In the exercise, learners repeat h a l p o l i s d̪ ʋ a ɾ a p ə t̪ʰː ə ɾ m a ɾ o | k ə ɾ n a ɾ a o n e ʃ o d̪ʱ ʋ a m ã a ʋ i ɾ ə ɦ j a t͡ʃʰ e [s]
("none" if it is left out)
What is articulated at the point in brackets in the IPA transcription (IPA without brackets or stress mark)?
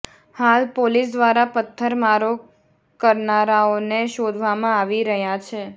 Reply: none